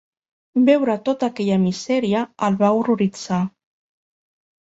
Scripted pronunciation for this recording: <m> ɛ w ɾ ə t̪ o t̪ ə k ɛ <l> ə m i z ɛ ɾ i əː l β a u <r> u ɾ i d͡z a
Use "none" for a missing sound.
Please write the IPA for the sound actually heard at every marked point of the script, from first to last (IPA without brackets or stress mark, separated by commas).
b, ʎ, r